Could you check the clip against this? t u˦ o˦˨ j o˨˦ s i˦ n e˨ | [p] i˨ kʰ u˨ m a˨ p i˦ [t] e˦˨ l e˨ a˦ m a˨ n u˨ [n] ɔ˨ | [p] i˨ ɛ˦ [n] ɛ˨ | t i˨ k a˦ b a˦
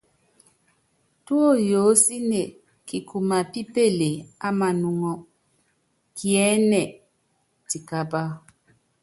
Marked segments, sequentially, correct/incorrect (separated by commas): incorrect, incorrect, incorrect, incorrect, correct